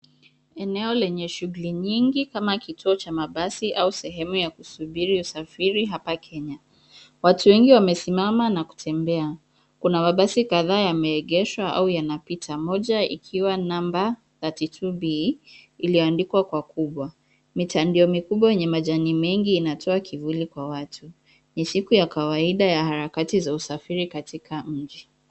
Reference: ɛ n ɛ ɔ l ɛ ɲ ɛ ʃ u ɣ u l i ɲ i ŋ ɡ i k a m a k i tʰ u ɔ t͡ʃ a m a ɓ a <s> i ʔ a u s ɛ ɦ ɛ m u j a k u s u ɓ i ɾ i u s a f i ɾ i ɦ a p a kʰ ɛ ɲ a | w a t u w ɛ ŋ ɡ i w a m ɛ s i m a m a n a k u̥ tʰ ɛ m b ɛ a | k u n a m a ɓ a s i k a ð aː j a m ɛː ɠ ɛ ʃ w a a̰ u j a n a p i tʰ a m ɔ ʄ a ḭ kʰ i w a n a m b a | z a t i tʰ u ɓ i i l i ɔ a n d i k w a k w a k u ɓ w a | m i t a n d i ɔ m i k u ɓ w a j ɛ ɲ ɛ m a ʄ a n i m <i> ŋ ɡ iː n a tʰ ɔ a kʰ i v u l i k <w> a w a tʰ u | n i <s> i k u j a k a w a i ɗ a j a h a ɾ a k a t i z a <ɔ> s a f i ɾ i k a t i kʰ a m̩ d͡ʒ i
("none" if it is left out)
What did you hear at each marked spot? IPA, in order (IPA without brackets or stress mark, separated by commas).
s, ɛ, w, s, u